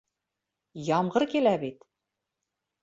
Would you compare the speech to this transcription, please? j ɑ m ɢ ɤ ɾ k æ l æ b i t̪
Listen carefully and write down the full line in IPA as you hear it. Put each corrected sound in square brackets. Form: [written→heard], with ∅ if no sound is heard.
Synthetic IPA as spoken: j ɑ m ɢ ɤ ɾ k [æ→i] l æ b i t̪